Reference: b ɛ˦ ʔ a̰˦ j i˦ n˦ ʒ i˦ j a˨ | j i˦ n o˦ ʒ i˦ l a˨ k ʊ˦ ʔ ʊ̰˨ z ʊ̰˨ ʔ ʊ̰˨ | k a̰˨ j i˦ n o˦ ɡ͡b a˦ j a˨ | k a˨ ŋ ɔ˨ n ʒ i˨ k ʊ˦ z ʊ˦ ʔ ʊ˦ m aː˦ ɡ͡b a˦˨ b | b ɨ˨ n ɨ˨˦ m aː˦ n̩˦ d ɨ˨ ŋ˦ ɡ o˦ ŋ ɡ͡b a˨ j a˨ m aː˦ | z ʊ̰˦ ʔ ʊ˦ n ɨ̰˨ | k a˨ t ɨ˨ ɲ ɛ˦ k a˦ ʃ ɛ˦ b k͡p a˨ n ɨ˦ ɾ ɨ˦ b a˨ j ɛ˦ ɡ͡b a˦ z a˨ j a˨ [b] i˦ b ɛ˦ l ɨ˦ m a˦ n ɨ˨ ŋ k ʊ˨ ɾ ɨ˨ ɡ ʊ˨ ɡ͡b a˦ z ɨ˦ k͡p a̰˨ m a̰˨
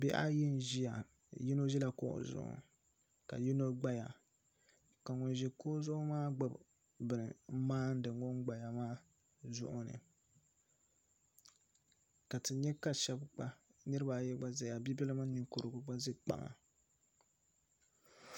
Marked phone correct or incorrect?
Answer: correct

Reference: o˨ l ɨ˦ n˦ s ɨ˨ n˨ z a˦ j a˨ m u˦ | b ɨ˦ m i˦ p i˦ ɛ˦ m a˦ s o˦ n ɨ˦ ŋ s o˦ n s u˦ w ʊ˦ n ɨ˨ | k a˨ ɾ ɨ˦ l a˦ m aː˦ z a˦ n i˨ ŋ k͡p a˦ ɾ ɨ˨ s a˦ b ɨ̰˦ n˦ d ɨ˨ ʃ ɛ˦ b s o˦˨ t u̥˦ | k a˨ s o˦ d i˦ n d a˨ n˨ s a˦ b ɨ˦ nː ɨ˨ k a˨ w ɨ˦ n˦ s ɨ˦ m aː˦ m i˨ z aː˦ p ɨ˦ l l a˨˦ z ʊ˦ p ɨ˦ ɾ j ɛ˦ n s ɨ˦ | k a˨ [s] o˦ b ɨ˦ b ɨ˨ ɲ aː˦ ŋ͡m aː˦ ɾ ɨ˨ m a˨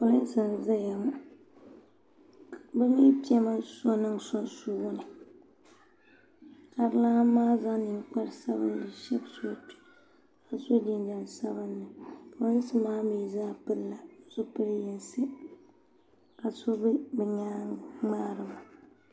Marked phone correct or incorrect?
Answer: correct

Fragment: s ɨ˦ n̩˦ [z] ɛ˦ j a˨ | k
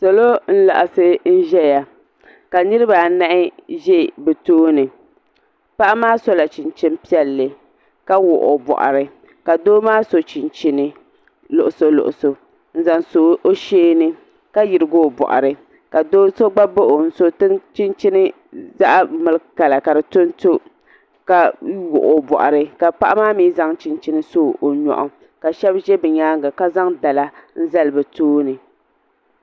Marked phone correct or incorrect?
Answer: incorrect: ʒ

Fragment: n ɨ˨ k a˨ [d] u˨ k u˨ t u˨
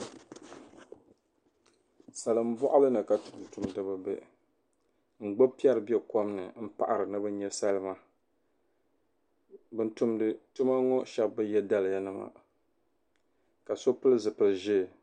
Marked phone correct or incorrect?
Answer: incorrect: t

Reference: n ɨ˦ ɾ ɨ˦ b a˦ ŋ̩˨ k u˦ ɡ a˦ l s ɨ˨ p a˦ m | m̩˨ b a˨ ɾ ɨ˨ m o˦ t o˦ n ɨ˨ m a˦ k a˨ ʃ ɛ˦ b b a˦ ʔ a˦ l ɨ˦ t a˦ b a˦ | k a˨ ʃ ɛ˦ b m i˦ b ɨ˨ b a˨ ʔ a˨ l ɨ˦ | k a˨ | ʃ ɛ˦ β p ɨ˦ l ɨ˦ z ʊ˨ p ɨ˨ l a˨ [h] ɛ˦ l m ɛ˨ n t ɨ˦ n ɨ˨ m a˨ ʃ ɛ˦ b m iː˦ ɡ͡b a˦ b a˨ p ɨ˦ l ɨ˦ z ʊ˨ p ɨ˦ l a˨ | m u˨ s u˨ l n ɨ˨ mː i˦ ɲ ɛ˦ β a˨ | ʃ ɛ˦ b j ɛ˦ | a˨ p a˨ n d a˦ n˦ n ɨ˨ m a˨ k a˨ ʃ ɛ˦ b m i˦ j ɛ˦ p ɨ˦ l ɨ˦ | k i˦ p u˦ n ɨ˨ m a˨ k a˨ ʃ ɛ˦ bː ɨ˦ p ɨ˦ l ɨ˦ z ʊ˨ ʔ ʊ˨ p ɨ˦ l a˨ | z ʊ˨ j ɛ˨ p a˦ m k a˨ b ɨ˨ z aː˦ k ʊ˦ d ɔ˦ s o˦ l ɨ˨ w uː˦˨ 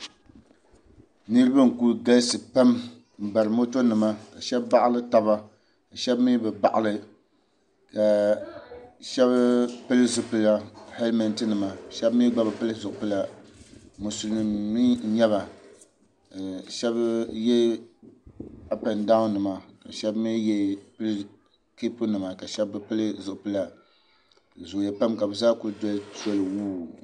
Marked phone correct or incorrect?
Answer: correct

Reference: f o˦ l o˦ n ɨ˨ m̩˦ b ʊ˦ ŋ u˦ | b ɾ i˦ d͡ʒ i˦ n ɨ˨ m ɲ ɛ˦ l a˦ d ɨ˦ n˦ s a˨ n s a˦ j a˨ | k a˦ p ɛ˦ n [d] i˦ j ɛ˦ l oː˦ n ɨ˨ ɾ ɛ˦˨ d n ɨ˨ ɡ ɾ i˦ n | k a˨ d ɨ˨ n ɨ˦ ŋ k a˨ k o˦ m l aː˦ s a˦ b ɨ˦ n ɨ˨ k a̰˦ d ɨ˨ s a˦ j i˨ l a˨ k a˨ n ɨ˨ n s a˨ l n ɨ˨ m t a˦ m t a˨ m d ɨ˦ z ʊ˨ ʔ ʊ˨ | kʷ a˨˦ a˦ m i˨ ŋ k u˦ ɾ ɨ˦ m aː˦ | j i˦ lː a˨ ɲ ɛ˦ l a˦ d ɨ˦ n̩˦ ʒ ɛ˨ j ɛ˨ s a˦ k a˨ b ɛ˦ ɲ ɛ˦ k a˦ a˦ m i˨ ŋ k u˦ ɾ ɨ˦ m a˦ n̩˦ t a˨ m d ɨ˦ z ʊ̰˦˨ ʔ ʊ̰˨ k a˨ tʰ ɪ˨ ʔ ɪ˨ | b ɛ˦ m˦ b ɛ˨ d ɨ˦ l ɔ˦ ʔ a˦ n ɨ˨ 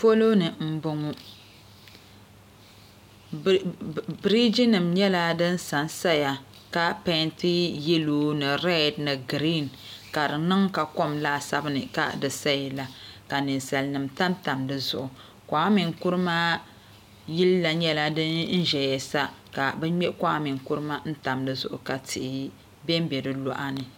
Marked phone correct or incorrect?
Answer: incorrect: t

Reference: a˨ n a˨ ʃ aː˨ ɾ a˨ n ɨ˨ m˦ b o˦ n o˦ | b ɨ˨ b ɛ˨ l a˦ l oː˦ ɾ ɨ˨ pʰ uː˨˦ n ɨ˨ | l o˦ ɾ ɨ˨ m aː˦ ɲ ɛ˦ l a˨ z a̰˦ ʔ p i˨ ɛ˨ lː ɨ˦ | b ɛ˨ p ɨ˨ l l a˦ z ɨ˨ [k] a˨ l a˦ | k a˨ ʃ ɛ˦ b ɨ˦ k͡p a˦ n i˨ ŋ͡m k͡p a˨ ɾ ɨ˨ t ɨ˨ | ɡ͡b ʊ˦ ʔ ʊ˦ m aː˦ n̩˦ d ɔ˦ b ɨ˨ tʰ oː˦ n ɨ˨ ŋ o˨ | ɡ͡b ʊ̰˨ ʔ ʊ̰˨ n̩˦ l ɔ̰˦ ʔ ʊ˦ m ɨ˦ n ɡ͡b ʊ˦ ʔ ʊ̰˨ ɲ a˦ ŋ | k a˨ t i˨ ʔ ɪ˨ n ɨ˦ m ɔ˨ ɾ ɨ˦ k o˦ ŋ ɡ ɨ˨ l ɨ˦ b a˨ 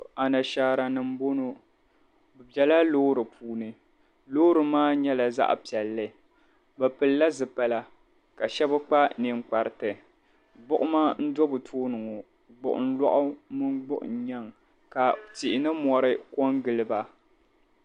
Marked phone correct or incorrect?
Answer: incorrect: p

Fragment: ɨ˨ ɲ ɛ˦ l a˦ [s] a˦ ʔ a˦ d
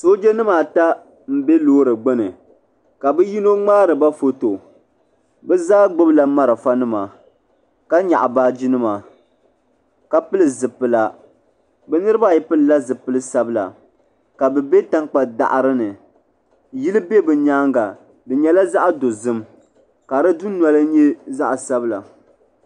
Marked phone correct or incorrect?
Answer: incorrect: z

